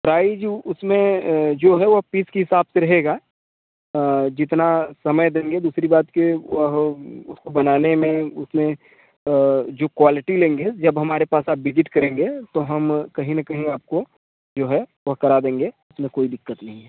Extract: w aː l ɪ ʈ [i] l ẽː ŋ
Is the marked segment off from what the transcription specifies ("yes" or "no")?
no